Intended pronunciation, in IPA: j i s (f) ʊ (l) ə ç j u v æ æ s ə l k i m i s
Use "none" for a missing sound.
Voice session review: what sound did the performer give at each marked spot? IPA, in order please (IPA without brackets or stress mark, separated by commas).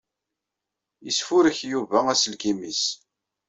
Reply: f, ɾ